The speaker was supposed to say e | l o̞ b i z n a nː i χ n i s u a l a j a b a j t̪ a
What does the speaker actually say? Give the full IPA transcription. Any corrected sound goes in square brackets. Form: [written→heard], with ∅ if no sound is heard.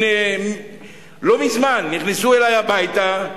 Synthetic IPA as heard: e | l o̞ [b→m] i z [n→m] a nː i χ n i s u [a→e] l a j a b a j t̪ a